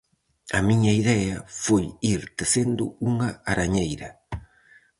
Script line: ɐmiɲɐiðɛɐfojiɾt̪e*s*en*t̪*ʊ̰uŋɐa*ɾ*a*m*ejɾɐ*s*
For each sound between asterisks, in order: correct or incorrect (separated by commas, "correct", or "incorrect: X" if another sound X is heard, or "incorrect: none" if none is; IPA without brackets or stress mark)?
correct, incorrect: d̪, correct, incorrect: ɲ, incorrect: none